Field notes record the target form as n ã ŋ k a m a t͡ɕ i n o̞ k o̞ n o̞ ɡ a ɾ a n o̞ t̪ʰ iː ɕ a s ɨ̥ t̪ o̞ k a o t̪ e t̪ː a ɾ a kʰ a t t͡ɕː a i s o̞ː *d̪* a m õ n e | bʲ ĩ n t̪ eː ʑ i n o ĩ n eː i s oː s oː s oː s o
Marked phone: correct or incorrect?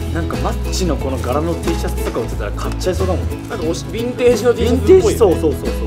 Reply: correct